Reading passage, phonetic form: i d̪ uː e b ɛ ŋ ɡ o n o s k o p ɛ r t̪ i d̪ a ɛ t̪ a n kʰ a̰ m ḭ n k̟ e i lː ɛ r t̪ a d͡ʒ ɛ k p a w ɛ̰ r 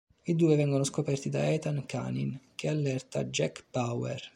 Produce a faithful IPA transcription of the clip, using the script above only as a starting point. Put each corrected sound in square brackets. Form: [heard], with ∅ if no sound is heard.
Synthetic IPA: i d̪ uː e [v] ɛ ŋ ɡ o n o s k o p ɛ r t̪ i d̪ a ɛ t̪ a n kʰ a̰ [n] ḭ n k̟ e [a] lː ɛ r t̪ a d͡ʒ ɛ k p a w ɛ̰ r